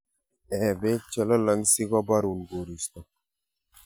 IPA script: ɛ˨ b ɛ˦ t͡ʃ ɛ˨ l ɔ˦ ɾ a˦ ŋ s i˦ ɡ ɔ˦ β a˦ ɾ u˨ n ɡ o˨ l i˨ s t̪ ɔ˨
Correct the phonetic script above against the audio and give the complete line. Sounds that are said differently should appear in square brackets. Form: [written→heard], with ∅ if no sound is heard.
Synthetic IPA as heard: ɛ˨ b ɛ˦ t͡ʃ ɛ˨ l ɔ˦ [ɾ→l] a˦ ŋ s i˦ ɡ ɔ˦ [β→b] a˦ ɾ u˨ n ɡ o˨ [l→ɾ] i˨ s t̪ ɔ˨